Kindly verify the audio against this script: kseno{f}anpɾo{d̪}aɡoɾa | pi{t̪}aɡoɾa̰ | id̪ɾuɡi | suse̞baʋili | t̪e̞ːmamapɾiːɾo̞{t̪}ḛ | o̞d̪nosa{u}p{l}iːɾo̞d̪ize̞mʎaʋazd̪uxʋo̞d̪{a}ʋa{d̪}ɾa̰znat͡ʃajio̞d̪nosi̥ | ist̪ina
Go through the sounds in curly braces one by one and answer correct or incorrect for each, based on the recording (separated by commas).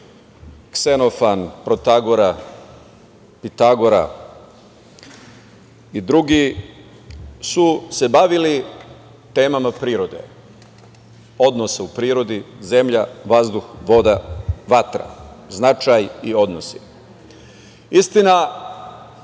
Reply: correct, incorrect, correct, incorrect, correct, incorrect, correct, incorrect